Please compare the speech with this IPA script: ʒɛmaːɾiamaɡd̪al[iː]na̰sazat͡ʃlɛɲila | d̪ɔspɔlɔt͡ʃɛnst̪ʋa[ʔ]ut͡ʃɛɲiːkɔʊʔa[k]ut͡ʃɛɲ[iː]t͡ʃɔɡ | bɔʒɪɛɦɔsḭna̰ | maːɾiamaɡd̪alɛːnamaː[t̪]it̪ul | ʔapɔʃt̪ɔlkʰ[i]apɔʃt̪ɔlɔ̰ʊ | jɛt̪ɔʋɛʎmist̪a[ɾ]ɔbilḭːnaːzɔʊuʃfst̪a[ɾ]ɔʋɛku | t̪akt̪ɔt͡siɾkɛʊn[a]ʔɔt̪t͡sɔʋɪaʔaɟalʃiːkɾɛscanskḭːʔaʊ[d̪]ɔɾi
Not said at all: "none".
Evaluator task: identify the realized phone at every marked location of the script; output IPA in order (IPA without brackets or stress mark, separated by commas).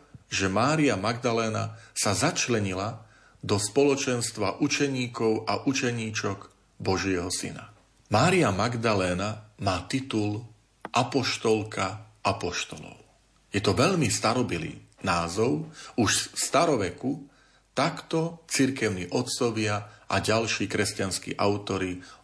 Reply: ɛː, ʔ, ʔ, iː, t̪, a, ɾ, ɾ, i, t̪